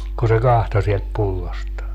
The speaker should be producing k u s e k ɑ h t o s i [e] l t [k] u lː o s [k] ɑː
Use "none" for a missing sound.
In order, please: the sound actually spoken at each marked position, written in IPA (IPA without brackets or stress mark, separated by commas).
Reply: e, p, t